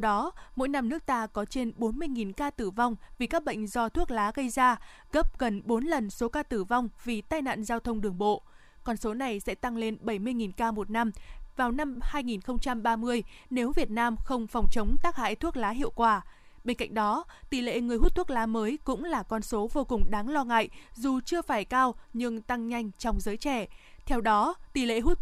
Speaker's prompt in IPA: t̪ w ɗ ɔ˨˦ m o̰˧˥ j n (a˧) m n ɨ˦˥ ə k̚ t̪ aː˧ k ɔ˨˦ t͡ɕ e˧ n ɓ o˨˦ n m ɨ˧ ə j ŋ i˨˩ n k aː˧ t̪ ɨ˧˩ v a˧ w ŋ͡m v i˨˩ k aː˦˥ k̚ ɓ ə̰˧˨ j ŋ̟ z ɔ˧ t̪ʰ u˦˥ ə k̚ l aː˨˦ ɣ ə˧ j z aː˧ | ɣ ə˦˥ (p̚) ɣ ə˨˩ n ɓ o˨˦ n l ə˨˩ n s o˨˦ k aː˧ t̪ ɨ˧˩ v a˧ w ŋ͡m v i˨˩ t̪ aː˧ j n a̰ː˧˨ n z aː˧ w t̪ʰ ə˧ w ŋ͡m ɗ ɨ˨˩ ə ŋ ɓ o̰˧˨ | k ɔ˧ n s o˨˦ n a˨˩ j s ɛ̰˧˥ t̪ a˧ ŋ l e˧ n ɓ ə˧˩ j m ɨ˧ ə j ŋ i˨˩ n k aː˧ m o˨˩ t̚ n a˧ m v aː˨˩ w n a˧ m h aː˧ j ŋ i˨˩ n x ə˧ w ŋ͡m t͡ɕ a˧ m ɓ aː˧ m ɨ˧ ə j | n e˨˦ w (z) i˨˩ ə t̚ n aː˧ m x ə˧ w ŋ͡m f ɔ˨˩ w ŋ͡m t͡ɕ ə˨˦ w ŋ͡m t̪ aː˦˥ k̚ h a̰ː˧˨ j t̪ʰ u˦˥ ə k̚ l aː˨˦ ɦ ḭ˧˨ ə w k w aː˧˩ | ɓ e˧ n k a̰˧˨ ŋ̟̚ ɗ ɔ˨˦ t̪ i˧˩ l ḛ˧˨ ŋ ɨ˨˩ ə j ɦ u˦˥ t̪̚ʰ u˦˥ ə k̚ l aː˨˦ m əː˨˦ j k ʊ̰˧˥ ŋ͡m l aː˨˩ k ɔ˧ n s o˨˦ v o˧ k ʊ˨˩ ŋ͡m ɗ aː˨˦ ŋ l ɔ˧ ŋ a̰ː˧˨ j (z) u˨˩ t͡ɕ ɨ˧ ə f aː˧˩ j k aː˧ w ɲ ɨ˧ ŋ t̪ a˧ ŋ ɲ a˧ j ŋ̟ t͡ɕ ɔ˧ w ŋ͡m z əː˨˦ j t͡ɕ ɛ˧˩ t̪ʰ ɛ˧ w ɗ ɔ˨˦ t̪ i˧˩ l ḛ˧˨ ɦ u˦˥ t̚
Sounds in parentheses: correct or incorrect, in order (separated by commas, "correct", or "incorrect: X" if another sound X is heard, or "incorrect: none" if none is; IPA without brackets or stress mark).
correct, correct, incorrect: v, correct